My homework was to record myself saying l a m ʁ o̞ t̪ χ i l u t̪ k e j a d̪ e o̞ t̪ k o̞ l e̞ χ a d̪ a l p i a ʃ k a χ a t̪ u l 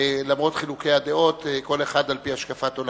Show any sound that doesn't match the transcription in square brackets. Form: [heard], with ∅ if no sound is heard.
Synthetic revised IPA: l a m ʁ o̞ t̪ χ i l u [∅] k e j a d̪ e o̞ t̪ k o̞ l e̞ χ a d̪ a l p i a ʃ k a [f] a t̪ [o] l

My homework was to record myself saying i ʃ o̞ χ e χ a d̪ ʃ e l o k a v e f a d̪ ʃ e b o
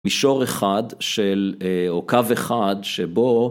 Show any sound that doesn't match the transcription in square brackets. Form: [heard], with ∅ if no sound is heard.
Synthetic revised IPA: i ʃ o̞ [ʁ] e χ a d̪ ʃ e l o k a v e [χ] a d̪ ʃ e b o

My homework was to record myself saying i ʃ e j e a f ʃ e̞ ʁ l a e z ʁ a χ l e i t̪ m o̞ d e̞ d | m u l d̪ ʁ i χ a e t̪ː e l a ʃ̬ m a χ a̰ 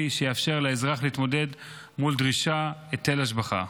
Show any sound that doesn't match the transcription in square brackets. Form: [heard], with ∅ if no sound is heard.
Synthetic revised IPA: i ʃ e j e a f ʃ e̞ ʁ l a e z ʁ a χ l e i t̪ m o̞ d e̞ d | m u l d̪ ʁ i [ʃ] a e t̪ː e l a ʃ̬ [b] a χ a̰

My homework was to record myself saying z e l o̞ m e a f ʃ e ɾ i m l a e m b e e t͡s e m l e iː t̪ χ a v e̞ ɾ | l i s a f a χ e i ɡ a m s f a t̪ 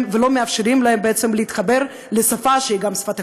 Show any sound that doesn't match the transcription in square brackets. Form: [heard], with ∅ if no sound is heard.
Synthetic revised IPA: [v] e l o̞ m e a f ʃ e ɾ i m l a e m b e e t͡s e m l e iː t̪ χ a [b] e̞ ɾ | l [e] s a f a [ʃ] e i ɡ a m s f a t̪

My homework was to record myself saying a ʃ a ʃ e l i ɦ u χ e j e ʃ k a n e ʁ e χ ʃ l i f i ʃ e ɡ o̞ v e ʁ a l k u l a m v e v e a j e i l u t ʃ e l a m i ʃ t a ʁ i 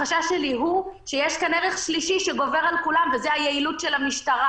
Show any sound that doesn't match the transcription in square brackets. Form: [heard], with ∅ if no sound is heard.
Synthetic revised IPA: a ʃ a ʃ e l i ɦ u [ʃ] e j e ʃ k a n e ʁ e χ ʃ l i [ʃ] i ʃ e ɡ o̞ v e ʁ a l k u l a m v e [z] e a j e i l u t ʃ e l a m i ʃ t a ʁ [a]

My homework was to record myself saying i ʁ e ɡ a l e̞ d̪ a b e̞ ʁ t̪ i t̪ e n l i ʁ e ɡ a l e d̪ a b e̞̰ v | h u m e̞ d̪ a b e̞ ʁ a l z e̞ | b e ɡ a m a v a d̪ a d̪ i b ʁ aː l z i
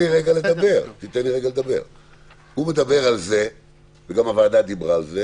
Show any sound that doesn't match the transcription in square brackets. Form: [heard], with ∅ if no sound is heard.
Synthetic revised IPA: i ʁ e ɡ a l e̞ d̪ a b e̞ ʁ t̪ i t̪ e n l i ʁ e ɡ a l e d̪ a b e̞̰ [ʁ] | h u m e̞ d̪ a b e̞ ʁ a l z e̞ | [v] e ɡ a m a v a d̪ a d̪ i b ʁ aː l z [e]

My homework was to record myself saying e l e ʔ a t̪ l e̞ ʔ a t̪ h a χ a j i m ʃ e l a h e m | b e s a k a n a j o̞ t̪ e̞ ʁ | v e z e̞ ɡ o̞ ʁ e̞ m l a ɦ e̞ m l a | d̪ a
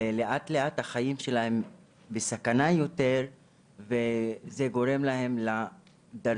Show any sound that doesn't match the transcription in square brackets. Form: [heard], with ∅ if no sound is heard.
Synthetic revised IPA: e l e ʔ a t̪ l e̞ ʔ a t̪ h a χ a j i m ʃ e l a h e m | b e s a k a n a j o̞ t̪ e̞ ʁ | v e z e̞ ɡ o̞ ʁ e̞ m l a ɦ e̞ m l a | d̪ a

